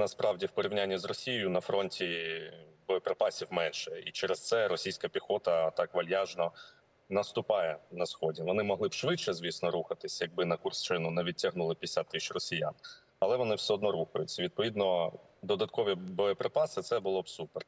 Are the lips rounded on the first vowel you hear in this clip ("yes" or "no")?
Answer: no